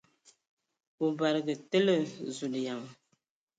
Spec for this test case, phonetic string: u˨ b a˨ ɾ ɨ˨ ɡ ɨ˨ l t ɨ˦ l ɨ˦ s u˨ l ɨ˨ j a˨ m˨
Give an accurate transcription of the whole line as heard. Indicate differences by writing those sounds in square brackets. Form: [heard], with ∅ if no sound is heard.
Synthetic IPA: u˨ b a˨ ɾ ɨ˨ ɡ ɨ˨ [∅] t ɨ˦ l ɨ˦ [z] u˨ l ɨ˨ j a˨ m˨